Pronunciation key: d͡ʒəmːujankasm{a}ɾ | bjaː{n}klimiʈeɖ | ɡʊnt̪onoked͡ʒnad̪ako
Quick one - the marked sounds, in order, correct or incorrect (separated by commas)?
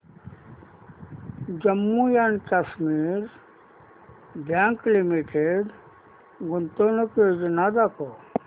incorrect, incorrect